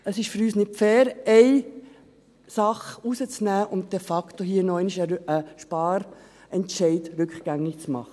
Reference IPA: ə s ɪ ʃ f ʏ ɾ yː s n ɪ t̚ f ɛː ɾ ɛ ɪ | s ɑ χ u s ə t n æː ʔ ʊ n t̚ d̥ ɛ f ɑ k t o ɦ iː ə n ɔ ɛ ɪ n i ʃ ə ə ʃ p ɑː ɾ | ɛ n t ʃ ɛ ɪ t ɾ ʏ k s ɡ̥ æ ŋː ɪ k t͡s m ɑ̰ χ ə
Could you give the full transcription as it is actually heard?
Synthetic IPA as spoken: ə s ɪ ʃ f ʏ ɾ yː s n ɪ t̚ f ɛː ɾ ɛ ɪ | s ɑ χ u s ə t͡s n æː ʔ ʊ n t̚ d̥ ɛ f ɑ k t o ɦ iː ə n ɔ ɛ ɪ n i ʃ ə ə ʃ p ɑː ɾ | ɛ n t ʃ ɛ ɪ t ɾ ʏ k χ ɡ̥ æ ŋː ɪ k t͡s m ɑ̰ χ ə